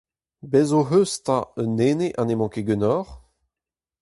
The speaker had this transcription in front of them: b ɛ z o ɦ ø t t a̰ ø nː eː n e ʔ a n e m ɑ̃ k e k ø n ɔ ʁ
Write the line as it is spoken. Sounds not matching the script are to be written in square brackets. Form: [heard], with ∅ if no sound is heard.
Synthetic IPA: b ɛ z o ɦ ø [s] t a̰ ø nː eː n e ʔ a n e m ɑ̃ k e [ɡ] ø n ɔ ʁ